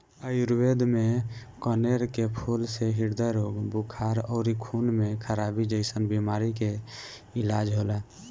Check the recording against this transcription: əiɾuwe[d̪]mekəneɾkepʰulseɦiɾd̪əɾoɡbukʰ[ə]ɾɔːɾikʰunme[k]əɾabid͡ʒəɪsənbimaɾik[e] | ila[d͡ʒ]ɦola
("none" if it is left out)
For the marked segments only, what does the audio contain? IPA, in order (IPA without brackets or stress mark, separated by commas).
d̪, a, kʰ, e, d͡ʒ